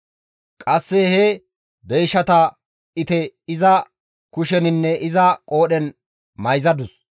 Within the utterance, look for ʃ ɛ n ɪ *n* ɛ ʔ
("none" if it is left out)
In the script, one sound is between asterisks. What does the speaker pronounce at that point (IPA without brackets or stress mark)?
nː